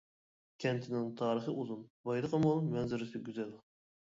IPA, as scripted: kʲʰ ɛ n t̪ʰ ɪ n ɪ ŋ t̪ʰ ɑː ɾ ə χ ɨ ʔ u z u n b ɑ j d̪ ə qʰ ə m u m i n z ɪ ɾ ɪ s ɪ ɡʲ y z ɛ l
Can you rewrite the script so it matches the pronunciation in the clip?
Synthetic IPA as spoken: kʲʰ ɛ n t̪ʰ ɪ n ɪ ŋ t̪ʰ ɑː ɾ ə χ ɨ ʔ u z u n b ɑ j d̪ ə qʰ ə m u m ɛ n z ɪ ɾ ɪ s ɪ ɡʲ y z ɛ l